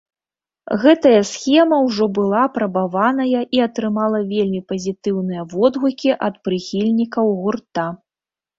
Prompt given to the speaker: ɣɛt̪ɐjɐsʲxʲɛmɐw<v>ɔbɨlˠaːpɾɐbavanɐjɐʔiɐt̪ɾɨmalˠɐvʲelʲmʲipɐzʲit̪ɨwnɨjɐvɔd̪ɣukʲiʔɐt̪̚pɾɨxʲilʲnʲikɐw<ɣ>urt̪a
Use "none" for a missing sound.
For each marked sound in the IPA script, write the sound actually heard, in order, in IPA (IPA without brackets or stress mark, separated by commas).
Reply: ʐ, ɣ